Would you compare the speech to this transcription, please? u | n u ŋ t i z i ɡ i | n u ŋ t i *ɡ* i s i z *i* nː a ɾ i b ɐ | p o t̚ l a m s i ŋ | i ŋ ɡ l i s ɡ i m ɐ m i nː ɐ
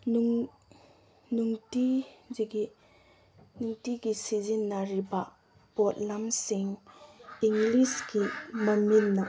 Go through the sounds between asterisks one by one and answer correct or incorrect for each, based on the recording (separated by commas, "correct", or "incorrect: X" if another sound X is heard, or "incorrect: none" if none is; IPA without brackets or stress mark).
correct, correct